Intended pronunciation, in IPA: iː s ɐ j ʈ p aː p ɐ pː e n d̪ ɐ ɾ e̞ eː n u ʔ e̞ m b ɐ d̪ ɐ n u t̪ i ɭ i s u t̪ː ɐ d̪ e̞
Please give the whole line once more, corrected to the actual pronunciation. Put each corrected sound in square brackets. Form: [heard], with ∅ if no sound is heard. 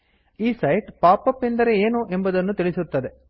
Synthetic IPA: iː s ɐ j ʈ p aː p ɐ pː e n d̪ ɐ ɾ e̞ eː n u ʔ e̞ m b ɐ d̪ ɐ [nː] u t̪ i ɭ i s u t̪ː ɐ d̪ e̞

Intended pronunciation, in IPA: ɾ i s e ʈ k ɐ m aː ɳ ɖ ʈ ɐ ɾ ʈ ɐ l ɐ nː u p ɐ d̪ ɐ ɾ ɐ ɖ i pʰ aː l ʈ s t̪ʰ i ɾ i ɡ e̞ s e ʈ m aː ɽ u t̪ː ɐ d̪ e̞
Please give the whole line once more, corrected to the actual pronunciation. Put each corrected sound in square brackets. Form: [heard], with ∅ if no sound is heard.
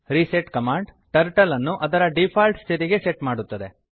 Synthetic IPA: ɾ i s e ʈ k ɐ m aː ɳ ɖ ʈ ɐ ɾ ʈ ɐ l ɐ nː u [ʔ] ɐ d̪ ɐ ɾ ɐ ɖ i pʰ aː l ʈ s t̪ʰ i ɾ i ɡ e̞ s e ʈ m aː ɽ u t̪ː ɐ d̪ e̞

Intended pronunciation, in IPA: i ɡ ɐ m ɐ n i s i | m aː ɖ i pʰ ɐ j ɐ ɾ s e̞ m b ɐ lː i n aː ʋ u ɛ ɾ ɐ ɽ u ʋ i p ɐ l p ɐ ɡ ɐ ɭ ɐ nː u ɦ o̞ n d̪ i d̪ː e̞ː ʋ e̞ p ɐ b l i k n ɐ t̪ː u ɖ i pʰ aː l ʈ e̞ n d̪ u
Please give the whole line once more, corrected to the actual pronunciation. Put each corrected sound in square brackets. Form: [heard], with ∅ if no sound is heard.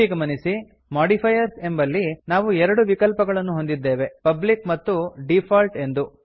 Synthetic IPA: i ɡ ɐ m ɐ n i s i | m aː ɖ i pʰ ɐ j ɐ ɾ s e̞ m b ɐ lː i n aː ʋ u ɛ ɾ ɐ ɽ u ʋ i [k] ɐ l p ɐ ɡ ɐ ɭ ɐ nː u ɦ o̞ n d̪ i d̪ː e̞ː ʋ e̞ p ɐ b l i k [m] ɐ t̪ː u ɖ i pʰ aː l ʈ e̞ n d̪ u

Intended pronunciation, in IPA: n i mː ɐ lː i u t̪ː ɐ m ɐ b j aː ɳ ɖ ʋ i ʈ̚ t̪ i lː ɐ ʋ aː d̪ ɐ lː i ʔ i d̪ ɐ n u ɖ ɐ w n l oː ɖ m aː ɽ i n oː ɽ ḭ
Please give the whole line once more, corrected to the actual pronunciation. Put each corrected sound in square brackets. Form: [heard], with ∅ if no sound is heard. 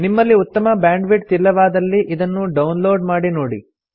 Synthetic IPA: n i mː ɐ lː i u t̪ː ɐ m ɐ b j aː ɳ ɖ ʋ i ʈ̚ t̪ i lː ɐ ʋ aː d̪ ɐ lː i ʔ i d̪ ɐ [nː] u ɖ ɐ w n l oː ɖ m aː ɽ i n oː ɽ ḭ

